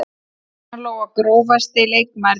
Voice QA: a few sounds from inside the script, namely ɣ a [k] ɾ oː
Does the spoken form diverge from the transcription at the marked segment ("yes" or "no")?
no